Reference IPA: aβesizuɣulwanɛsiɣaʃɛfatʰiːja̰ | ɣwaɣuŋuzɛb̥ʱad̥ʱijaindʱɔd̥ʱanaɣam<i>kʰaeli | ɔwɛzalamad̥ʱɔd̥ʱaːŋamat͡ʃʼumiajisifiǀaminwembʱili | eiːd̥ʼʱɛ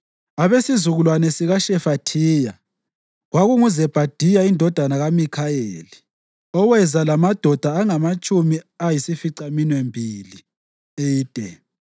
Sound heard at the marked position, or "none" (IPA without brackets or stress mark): i